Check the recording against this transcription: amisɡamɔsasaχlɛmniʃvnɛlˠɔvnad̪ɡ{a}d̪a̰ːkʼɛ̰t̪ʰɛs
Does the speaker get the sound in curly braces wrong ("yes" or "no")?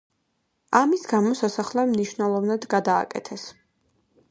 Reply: no